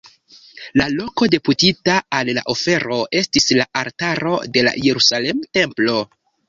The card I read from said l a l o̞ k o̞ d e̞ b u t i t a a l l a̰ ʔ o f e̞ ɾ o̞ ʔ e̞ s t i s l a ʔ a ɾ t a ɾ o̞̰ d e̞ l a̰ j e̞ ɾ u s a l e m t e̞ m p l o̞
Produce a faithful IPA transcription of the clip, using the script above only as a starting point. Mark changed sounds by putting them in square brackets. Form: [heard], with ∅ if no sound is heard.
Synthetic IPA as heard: l a l o̞ k o̞ d e̞ [p] u t i t a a l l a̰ ʔ o f e̞ ɾ o̞ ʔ e̞ s t i s l a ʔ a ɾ t a ɾ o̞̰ d e̞ l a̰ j e̞ ɾ u s a l e m t e̞ m p l o̞

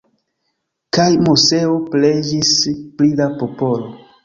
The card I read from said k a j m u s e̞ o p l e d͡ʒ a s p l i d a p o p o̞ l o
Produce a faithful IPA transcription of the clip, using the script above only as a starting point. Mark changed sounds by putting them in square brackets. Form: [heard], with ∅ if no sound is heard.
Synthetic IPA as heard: k a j m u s e̞ o p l e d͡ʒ [i] s p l i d a p o p o̞ l o

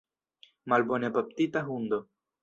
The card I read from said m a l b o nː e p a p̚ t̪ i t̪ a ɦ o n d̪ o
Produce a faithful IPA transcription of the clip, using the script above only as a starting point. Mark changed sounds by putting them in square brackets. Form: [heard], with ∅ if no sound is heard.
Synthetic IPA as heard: m a l b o [n] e p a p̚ t̪ i t̪ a ɦ [u] n d̪ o

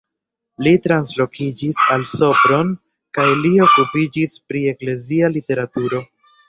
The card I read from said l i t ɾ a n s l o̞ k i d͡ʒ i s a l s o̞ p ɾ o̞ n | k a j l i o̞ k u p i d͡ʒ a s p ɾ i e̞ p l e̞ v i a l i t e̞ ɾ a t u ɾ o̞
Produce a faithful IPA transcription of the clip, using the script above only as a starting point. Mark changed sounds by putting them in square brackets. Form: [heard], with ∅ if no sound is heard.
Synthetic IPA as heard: l i t ɾ a n s l o̞ k i d͡ʒ i s a l s o̞ p ɾ o̞ n | k a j l i o̞ k u p i d͡ʒ [i] s p ɾ i e̞ [k] l e̞ [z] i a l i t e̞ ɾ a t u ɾ o̞

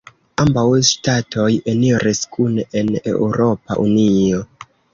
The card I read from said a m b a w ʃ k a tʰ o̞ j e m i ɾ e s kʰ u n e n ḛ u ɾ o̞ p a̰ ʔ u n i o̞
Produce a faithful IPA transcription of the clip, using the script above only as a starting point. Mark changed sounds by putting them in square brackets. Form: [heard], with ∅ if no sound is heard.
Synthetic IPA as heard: a m b a w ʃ [t] a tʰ o̞ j e [n] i ɾ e s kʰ u n e n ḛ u ɾ o̞ p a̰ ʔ u n i o̞

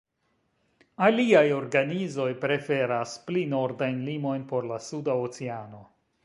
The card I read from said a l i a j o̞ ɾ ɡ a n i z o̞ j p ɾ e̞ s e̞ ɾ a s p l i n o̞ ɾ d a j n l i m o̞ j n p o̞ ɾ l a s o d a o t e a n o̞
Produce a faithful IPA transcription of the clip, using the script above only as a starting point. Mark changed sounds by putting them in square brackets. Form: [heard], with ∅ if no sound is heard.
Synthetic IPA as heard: a l i a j o̞ ɾ ɡ a n i z o̞ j p ɾ e̞ [f] e̞ ɾ a s p l i n o̞ ɾ d a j n l i m o̞ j n p o̞ ɾ l a s [u] d a o [t͡s] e a n o̞

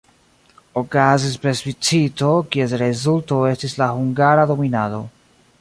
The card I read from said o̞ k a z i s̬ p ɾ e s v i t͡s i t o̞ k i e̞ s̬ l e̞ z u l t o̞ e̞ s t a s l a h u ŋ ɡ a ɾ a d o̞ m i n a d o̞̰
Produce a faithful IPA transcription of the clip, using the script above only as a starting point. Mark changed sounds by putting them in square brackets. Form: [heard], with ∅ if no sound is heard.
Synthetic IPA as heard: o̞ k a z i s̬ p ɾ e s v i t͡s i t o̞ k i e̞ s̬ [ɾ] e̞ z u l t o̞ e̞ s t [i] s l a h u ŋ ɡ a ɾ a d o̞ m i n a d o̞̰

